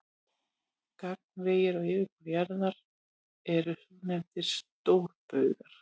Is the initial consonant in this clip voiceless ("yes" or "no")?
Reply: yes